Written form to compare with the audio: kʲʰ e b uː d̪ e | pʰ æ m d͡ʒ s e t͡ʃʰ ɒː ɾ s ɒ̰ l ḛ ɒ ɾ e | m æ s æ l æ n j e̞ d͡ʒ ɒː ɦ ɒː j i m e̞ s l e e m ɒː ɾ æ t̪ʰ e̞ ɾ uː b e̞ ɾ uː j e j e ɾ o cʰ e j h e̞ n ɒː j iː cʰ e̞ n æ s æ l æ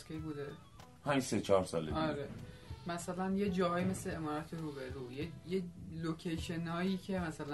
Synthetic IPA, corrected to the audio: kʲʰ e b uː d̪ e | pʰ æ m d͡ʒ s e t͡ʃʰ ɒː ɾ s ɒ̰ l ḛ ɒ ɾ e | m æ s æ l æ n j e̞ d͡ʒ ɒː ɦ ɒː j i m e̞ s l e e m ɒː ɾ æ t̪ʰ e̞ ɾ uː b e̞ ɾ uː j e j e l o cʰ e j ʃ e̞ n ɒː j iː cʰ e̞ m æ s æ l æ